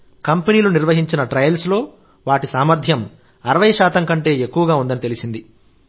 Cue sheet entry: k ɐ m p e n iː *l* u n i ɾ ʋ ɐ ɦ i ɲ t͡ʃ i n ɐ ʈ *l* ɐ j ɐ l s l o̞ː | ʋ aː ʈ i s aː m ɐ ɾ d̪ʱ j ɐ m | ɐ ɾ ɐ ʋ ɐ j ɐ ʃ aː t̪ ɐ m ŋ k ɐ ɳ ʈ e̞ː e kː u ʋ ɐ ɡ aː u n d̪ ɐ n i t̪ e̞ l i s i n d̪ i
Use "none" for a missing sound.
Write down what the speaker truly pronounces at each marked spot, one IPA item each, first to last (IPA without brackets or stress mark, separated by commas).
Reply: l, ɾ